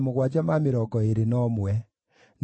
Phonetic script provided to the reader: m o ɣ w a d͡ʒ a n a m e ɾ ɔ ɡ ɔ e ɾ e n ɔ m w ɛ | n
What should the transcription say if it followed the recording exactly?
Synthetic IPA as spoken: m o ɣ w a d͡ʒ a m a m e ɾ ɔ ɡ ɔ e ɾ e n ɔ m w ɛ | n